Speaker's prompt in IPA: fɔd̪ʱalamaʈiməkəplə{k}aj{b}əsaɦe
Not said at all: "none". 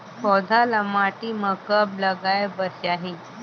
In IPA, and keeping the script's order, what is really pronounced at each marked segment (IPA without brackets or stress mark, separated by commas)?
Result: ɡ, b